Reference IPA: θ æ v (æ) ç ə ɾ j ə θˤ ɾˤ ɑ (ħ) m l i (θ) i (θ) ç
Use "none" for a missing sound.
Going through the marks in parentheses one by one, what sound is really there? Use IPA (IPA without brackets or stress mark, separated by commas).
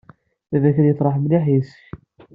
æ, ħ, ħ, s